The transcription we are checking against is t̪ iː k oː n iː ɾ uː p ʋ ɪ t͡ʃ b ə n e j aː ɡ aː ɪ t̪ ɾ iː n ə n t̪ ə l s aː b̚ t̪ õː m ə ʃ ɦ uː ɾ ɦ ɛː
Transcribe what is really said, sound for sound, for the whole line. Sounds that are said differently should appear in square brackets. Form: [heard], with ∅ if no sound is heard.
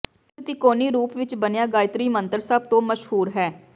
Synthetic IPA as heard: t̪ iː k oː n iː ɾ uː p ʋ ɪ t͡ʃ b ə n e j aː ɡ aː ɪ t̪ ɾ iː [m] ə n t̪ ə [ɾ] s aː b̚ t̪ õː m ə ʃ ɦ uː ɾ ɦ ɛː